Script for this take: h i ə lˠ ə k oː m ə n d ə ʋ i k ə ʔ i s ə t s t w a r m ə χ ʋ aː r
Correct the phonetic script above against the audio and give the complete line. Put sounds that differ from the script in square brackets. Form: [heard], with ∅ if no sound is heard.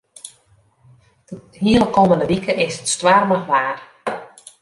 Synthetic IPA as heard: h i ə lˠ ə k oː m ə n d ə ʋ i k ə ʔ [ɪ] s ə t s t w a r m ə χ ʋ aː r